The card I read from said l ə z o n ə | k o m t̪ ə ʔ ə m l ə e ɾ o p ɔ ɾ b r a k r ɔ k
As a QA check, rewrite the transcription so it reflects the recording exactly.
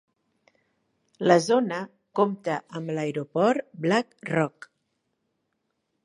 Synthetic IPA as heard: l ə z o n ə | k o m t̪ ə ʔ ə m l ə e ɾ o p ɔ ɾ b l a k r ɔ k